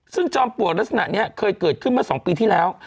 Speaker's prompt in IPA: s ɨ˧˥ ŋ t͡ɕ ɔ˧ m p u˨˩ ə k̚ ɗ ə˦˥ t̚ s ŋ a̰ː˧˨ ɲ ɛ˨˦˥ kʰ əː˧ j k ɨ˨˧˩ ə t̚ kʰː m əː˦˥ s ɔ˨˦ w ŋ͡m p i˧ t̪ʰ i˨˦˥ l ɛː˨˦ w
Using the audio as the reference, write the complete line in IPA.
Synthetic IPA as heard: s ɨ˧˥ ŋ t͡ɕ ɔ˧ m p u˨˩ ə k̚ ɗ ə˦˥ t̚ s n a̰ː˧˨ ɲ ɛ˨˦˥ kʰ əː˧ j k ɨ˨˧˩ ə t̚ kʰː m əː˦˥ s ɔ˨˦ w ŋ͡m p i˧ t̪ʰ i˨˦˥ l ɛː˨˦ w